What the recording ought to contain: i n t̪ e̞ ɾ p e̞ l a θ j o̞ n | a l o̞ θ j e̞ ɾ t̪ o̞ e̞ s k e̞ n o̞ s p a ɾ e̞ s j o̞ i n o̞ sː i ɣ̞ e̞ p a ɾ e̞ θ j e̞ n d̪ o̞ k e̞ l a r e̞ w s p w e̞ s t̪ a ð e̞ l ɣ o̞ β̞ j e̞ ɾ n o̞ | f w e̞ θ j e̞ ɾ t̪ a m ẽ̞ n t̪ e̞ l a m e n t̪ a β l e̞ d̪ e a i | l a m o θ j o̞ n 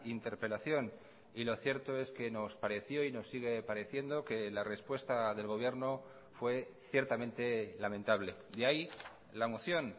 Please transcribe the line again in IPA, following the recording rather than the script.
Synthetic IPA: i n t̪ e̞ ɾ p e̞ l a θ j o̞ n | i l o̞ θ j e̞ ɾ t̪ o̞ e̞ s k e̞ n o̞ s p a ɾ e̞ θ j o̞ i n o̞ sː i ɣ̞ e̞ p a ɾ e̞ θ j e̞ n d̪ o̞ k e̞ l a r e̞ s p w e̞ s t̪ a ð e̞ l ɣ o̞ β̞ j e̞ ɾ n o̞ | f w e̞ θ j e̞ ɾ t̪ a m ẽ̞ n t̪ e̞ l a m e n t̪ a β l e̞ d̪ e a i | l a m o θ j o̞ n